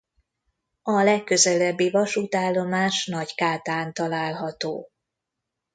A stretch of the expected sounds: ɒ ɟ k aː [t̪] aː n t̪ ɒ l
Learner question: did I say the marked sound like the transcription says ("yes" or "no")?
yes